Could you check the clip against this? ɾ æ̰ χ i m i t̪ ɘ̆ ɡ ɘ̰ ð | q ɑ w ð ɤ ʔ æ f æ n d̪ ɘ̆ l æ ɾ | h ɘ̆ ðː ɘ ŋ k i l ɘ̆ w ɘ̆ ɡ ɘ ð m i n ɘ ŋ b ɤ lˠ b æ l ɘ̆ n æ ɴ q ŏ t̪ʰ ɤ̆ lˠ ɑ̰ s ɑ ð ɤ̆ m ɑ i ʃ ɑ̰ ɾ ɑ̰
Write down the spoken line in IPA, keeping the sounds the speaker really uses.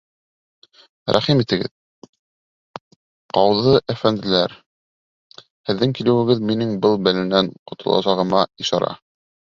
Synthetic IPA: ɾ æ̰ χ i m i t̪ ɘ̆ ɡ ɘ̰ ð | q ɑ w ð ɤ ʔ æ f æ n d̪ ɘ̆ l æ ɾ | h ɘ̆ ðː ɘ ŋ k i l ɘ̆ w ɘ̆ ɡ ɘ ð m i n ɘ ŋ b ɤ lˠ b æ l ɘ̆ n æ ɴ q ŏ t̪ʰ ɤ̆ lˠ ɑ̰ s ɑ ʁ ɤ̆ m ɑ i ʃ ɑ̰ ɾ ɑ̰